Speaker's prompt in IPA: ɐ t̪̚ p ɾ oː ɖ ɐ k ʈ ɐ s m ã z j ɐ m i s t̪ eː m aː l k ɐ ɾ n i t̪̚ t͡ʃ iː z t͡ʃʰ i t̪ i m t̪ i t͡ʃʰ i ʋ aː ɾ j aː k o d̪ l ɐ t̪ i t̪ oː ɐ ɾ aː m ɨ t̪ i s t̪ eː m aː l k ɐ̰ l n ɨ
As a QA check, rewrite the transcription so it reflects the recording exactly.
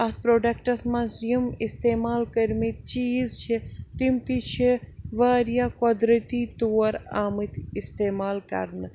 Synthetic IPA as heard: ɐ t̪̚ p ɾ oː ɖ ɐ k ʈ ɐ s m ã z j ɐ m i s t̪ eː m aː l k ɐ ɾ m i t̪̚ t͡ʃ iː z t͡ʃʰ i t̪ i m t̪ i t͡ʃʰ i ʋ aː ɾ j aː k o d̪ ɾ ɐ t̪ i t̪ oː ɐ ɾ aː m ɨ t̪ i s t̪ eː m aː l k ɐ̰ ɾ n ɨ